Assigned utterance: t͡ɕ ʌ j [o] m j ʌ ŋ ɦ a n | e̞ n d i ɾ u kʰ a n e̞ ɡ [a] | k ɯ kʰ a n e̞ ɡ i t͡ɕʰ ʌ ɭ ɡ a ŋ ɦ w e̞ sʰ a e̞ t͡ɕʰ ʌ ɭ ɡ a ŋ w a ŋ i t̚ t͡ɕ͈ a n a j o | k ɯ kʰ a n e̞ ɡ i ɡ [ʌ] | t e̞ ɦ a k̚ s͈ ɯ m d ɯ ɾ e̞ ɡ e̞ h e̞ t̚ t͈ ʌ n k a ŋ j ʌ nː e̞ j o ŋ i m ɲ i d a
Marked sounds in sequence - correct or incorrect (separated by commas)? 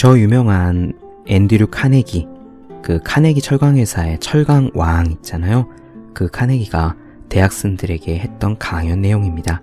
incorrect, incorrect, incorrect